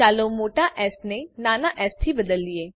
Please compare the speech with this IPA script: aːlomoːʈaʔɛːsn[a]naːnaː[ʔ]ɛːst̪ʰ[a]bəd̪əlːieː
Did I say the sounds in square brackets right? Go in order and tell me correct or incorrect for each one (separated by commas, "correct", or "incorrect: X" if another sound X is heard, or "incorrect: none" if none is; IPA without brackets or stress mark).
incorrect: e, correct, incorrect: i